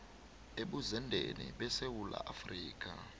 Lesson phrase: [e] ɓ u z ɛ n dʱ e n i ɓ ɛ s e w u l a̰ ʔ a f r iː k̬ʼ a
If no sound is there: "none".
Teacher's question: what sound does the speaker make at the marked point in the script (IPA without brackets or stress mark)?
e